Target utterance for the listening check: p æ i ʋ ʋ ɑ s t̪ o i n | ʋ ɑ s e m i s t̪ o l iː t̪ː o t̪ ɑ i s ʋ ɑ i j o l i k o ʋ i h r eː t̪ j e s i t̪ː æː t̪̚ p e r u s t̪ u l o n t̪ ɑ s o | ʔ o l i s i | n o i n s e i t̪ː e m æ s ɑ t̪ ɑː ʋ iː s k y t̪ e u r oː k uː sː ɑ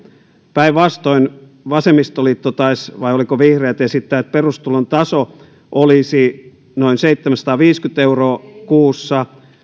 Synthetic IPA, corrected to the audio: p æ i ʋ ʋ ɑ s t̪ o i n | ʋ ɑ s e m i s t̪ o l iː t̪ː o t̪ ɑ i s ʋ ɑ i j o l i k o ʋ i h r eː t̪ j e s i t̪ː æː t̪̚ p e r u s t̪ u l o n t̪ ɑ s o | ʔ o l i s i | n o i n s e i t̪ː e m æ s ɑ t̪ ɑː ʋ iː s k y t̪ e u r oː k uː sː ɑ